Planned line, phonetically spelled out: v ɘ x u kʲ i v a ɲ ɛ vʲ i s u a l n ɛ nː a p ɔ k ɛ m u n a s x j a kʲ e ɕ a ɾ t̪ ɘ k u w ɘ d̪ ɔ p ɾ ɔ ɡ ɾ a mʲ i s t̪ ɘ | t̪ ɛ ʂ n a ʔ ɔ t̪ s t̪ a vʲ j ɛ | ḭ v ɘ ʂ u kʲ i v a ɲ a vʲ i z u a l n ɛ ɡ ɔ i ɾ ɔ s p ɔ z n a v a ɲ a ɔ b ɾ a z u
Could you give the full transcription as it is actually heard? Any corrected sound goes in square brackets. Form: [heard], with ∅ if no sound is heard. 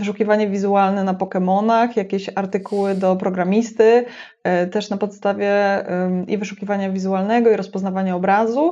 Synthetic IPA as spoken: v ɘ [ʂ] u kʲ i v a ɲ ɛ vʲ i [z] u a l n ɛ [n] a p ɔ k ɛ m [ɔ] n a [∅] x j a kʲ e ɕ a ɾ t̪ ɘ k u w ɘ d̪ ɔ p ɾ ɔ ɡ ɾ a mʲ i s t̪ ɘ | t̪ ɛ ʂ n a [p] ɔ t̪ s t̪ a vʲ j ɛ | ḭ v ɘ ʂ u kʲ i v a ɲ a vʲ i z u a l n ɛ ɡ ɔ i ɾ ɔ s p ɔ z n a v a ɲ a ɔ b ɾ a z u